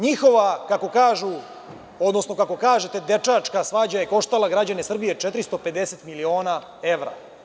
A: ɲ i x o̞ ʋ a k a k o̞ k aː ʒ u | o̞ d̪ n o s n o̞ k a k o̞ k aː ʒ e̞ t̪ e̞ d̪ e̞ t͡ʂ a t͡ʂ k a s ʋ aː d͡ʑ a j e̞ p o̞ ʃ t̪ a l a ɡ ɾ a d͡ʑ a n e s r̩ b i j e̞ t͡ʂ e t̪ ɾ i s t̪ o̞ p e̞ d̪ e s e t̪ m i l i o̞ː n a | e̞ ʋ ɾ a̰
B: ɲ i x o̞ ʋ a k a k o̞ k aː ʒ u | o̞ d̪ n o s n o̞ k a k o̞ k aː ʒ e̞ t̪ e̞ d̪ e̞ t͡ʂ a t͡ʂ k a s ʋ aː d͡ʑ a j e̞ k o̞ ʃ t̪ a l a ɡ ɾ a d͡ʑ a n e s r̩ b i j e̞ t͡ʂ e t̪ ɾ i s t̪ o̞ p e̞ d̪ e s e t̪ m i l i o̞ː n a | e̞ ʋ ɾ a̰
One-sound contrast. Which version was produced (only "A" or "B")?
B